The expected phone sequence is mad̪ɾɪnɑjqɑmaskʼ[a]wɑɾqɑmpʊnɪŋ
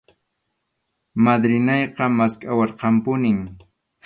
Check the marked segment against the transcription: correct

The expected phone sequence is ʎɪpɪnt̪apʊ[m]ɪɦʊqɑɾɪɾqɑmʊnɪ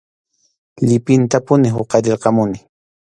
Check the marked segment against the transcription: incorrect: n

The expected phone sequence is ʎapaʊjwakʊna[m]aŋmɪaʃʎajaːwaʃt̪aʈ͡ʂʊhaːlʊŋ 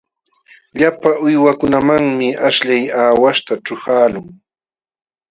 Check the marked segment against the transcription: correct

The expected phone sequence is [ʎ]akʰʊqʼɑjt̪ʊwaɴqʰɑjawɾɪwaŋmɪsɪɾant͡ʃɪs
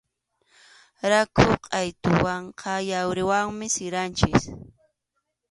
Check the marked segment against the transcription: incorrect: ɾ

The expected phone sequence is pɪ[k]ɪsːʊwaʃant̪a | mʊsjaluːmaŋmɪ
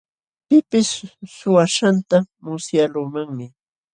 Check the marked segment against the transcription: incorrect: p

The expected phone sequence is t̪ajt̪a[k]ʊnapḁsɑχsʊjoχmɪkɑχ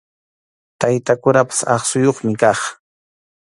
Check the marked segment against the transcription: correct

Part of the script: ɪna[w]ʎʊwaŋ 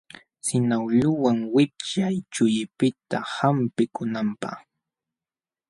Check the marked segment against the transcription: correct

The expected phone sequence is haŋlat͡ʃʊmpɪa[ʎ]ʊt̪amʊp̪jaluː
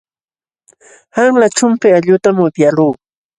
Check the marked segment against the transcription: correct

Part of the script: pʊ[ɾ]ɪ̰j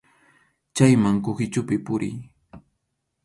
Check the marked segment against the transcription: correct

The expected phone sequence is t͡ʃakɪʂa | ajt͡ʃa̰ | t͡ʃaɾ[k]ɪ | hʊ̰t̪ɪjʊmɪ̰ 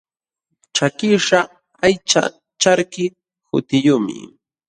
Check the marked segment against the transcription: correct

